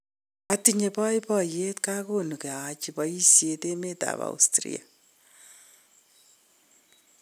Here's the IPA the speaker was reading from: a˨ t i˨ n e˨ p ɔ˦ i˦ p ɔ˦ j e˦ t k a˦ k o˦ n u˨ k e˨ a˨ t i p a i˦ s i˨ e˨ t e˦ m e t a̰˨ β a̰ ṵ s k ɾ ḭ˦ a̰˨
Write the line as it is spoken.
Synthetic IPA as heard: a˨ t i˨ ɲ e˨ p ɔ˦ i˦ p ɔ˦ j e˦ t k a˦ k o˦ n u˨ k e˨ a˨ t͡ʃ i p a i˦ s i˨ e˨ t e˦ m e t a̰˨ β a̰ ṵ s t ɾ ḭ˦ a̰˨